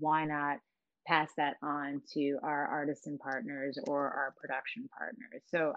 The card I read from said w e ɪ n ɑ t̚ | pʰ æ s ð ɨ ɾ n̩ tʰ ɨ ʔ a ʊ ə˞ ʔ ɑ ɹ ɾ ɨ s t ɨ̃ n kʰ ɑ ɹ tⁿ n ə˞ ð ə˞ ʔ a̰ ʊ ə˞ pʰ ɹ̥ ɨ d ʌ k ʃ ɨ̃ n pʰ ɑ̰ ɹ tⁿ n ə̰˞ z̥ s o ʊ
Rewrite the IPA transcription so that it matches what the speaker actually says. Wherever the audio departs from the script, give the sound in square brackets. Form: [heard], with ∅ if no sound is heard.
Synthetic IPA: w [a] ɪ n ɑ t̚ | pʰ æ s ð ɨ ɾ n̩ tʰ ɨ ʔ a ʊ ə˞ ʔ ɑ ɹ ɾ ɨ s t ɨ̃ n [pʰ] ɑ ɹ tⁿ n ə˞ [z] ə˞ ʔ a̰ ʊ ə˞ pʰ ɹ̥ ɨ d ʌ k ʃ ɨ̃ n pʰ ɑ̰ ɹ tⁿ n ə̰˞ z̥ s o ʊ